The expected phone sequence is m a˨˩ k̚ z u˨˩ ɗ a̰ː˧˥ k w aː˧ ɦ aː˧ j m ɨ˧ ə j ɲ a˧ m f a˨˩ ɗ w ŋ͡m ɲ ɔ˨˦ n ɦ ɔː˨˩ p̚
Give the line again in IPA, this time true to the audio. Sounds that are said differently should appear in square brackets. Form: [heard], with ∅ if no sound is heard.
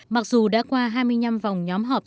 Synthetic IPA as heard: m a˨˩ k̚ z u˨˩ ɗ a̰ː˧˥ k w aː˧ ɦ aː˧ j m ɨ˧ ə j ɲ a˧ m [v] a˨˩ [∅] w ŋ͡m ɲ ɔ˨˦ [m] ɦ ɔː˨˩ p̚